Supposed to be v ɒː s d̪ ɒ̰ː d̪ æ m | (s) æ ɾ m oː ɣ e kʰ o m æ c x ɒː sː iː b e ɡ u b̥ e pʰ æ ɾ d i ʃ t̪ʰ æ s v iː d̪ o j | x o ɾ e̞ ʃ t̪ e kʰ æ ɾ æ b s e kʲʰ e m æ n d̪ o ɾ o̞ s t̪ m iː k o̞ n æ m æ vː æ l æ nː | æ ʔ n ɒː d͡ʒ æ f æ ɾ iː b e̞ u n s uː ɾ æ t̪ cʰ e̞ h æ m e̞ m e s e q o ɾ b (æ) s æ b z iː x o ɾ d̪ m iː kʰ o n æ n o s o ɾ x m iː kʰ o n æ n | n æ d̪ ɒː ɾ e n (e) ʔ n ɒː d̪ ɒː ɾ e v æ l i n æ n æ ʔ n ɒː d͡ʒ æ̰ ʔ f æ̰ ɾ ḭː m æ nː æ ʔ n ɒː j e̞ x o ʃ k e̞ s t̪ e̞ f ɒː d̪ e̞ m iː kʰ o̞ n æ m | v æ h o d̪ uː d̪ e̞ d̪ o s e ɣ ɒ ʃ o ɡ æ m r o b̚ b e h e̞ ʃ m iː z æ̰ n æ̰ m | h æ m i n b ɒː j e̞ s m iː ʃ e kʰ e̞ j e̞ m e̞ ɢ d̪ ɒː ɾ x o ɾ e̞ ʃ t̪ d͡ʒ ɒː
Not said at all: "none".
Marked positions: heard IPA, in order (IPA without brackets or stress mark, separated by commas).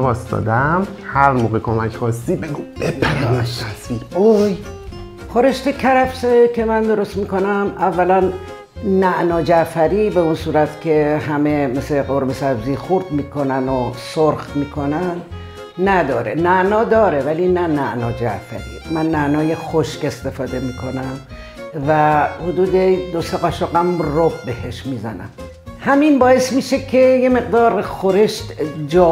h, e, æ